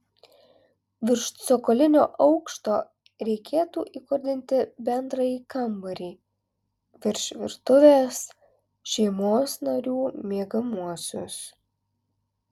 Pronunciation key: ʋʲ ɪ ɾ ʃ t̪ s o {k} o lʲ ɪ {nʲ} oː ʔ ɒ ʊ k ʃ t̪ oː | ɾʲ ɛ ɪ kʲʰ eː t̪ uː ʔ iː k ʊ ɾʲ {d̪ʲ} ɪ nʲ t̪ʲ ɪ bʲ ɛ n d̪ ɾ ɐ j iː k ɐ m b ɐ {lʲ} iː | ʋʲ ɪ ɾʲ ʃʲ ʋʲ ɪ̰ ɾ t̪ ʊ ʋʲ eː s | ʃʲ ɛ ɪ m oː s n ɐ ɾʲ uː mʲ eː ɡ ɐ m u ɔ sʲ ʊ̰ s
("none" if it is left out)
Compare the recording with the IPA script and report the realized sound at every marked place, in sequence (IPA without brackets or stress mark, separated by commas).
k, nʲ, d̪ʲ, ɾʲ